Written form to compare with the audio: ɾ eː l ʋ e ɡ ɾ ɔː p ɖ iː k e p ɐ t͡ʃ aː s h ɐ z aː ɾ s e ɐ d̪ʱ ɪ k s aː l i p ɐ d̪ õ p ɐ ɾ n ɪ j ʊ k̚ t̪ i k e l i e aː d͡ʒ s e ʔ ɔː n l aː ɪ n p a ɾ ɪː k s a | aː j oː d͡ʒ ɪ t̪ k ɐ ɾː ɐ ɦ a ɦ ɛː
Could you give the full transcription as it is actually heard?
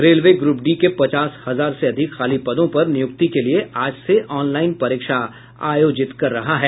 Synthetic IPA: ɾ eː l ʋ e ɡ ɾ uː p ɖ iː k e p ɐ t͡ʃ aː s h ɐ z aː ɾ s e ɐ d̪ʱ ɪ k x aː l i p ɐ d̪ õ p ɐ ɾ n ɪ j ʊ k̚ t̪ i k e l i e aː d͡ʒ s e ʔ ɔː n l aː ɪ n p ɐ ɾ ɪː k ʃ a | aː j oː d͡ʒ ɪ t̪ k ɐ ɾː ɐ ɦ a ɦ ɛː